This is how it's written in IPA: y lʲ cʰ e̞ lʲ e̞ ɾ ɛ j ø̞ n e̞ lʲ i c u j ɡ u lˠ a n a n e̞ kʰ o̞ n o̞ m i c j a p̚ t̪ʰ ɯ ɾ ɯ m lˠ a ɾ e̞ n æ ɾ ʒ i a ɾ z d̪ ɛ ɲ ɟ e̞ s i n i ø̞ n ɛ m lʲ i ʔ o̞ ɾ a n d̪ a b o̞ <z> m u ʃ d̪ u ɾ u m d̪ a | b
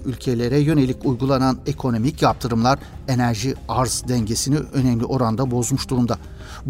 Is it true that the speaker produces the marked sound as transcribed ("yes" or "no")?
yes